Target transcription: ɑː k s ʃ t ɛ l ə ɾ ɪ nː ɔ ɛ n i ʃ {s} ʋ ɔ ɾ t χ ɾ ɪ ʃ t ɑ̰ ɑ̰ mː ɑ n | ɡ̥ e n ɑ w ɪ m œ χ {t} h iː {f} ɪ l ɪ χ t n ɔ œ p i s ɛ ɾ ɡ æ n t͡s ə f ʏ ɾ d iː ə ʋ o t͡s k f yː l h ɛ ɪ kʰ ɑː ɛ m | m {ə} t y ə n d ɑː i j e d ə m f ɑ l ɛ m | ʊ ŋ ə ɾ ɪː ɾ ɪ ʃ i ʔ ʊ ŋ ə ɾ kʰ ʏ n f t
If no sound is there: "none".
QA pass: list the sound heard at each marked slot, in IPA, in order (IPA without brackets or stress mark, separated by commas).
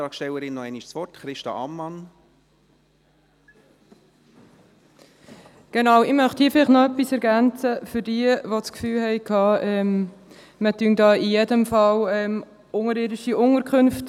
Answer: s, t, f, ə